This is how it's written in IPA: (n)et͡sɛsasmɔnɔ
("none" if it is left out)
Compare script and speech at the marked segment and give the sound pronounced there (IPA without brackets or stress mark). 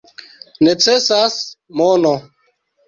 n